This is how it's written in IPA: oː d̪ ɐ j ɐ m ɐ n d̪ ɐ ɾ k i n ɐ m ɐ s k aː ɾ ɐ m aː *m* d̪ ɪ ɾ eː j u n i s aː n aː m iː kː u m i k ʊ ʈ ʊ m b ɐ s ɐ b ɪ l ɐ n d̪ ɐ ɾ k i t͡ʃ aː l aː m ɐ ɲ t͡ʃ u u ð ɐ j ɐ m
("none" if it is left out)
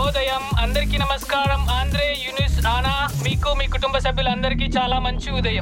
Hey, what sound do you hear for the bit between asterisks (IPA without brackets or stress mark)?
n